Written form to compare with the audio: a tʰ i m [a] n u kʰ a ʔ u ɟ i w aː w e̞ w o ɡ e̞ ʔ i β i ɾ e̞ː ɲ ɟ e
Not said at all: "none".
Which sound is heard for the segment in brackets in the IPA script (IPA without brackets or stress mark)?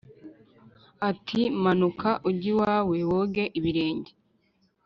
a